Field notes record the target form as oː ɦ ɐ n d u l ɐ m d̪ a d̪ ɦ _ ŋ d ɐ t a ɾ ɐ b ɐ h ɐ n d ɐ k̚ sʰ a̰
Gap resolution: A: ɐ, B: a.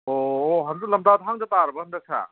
B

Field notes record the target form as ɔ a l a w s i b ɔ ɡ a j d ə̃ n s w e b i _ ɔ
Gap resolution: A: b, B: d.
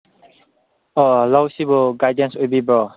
A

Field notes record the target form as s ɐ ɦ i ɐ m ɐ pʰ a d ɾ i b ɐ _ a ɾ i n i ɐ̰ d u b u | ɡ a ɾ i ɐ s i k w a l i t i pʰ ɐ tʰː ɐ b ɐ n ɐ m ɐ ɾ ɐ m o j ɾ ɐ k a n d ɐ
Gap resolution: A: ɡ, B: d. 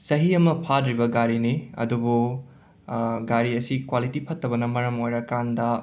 A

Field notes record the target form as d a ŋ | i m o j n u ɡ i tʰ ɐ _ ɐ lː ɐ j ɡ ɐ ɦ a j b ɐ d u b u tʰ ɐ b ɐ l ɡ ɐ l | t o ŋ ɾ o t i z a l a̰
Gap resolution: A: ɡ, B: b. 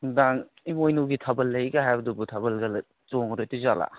B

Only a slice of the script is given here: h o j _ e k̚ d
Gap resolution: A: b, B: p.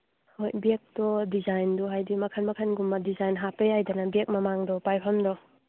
A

